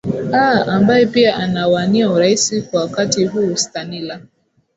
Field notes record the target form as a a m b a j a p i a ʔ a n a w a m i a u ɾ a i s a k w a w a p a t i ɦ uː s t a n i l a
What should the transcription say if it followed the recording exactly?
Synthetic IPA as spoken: a a m b a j ɛ p i a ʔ a n a w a n i a u ɾ a i s i k w a w a k a t i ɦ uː s t a n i l a